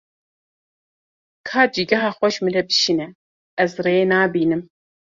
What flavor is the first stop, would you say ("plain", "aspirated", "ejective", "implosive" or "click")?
aspirated